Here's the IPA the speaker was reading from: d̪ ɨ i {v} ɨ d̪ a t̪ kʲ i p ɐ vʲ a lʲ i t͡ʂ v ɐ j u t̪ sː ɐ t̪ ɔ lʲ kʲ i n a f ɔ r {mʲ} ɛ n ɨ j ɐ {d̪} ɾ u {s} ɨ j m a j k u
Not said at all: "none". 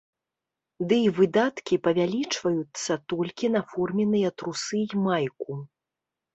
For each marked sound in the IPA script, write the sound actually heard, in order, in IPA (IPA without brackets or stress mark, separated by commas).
v, mʲ, t̪, s